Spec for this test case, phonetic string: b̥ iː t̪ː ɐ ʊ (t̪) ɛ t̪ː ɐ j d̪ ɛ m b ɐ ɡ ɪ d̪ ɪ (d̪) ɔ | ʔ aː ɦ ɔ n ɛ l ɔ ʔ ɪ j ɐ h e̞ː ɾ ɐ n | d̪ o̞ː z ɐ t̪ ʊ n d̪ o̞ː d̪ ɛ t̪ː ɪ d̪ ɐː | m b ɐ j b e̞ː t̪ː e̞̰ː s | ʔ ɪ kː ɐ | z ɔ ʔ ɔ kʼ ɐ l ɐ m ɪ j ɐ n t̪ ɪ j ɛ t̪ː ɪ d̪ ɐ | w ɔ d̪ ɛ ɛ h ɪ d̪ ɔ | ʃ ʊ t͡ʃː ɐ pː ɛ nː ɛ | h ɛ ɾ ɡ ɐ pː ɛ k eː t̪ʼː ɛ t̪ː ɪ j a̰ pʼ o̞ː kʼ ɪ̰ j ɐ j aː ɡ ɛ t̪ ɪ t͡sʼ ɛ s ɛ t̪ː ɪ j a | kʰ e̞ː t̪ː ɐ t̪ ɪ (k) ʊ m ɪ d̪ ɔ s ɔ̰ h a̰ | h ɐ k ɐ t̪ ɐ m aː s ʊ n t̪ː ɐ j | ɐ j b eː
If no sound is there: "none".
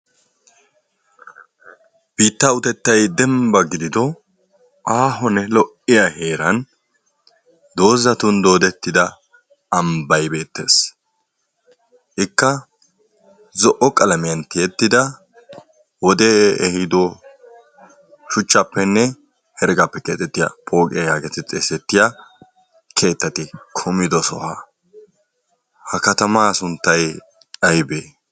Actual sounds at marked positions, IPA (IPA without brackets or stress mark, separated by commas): t̪, d̪, kʰ